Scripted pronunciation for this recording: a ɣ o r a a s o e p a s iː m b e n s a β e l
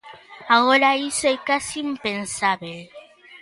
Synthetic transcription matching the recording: a ɣ o ɾ a i s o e k a s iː m p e n s a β e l